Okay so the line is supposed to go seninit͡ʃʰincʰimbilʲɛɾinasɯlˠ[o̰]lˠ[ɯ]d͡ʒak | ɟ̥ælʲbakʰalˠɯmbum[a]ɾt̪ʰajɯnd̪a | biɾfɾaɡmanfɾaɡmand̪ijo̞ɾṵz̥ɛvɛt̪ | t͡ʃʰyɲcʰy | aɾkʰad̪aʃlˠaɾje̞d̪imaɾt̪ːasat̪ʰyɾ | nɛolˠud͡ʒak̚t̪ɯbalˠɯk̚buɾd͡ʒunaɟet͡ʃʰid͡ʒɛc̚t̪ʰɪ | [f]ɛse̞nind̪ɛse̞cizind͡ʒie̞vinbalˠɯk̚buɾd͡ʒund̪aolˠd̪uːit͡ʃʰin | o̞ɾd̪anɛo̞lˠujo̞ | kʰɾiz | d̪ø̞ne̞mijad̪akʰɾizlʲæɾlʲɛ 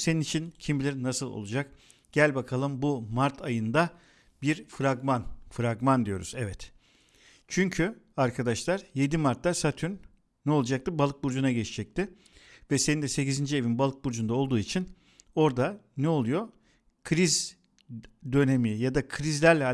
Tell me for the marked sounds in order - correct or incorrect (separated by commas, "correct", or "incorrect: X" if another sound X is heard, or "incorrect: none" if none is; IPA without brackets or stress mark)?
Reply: correct, incorrect: u, correct, incorrect: v